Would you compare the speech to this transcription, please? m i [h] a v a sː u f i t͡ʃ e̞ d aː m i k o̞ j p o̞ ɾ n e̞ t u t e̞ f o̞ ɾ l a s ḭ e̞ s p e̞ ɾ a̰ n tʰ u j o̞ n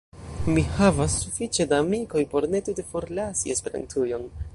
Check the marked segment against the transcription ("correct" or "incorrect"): correct